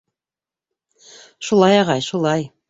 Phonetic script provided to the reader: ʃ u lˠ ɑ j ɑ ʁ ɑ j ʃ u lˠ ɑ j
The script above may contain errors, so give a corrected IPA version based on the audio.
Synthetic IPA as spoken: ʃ u lˠ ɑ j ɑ ʁ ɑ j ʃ u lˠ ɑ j